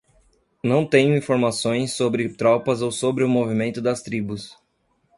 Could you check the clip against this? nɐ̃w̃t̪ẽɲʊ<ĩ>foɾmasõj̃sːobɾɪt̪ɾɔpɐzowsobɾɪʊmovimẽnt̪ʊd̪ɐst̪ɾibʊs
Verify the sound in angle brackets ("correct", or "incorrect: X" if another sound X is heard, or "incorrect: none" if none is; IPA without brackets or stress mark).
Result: correct